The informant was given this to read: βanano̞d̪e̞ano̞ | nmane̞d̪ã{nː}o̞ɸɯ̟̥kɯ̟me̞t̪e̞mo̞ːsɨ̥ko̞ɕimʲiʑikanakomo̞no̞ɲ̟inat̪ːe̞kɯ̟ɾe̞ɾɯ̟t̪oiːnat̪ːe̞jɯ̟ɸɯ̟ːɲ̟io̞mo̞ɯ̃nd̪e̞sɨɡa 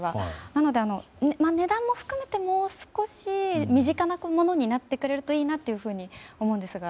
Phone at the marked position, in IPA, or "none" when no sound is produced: mː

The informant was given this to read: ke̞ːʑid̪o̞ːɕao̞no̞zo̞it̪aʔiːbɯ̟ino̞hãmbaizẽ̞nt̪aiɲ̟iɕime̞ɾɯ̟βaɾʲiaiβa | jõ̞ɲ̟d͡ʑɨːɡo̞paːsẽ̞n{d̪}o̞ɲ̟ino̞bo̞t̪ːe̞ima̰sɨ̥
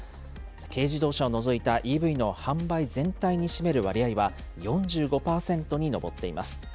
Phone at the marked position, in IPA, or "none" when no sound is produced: t̪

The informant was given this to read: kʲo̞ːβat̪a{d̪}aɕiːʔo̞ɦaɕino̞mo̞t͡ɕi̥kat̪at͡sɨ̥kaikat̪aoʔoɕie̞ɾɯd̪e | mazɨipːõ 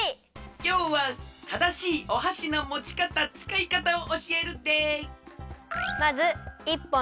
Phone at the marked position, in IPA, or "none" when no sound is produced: d̪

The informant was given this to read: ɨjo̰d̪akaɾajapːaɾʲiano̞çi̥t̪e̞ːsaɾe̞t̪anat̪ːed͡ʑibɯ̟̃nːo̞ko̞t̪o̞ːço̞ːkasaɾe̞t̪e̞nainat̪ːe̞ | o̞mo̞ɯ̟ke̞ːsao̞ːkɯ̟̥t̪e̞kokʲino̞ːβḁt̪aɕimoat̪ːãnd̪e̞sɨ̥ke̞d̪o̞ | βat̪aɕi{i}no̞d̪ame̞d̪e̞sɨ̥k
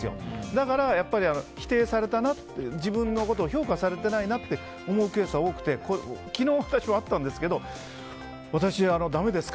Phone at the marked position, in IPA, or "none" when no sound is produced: a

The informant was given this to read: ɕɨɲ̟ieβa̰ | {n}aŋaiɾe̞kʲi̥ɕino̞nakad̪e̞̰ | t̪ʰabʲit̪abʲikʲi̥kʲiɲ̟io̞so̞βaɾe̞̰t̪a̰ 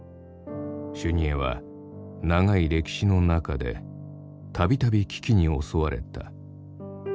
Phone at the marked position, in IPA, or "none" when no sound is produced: n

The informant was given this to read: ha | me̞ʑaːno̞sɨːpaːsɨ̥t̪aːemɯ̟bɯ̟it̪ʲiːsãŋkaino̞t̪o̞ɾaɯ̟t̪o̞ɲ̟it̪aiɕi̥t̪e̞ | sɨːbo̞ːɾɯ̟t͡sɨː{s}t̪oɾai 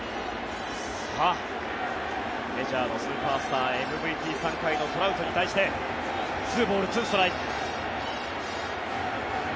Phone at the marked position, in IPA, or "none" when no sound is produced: s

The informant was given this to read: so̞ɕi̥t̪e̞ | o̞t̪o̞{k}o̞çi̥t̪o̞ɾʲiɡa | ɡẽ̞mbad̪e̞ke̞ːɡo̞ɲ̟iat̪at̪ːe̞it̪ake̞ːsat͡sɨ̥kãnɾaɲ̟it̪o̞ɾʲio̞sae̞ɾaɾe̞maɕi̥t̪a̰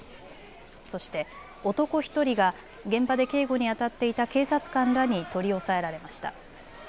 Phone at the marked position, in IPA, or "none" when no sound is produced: k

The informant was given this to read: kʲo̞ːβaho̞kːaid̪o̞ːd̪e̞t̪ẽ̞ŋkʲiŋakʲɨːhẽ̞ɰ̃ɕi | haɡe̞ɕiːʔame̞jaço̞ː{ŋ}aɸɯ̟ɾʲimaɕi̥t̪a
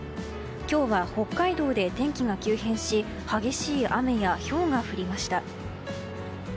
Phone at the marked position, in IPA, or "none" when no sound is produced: ŋ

